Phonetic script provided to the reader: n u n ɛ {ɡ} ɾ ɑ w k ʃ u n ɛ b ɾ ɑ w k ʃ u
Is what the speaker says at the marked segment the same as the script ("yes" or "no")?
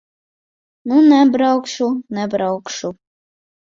no